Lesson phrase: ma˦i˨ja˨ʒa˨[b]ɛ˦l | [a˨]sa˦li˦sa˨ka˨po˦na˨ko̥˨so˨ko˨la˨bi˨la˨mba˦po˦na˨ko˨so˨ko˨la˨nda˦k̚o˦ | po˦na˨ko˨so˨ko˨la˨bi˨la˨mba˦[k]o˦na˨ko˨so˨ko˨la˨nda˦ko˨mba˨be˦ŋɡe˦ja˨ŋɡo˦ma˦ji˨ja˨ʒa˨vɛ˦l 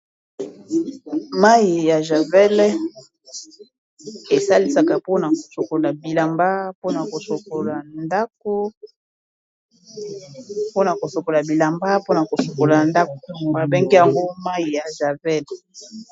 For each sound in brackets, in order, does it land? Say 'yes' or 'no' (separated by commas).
no, no, no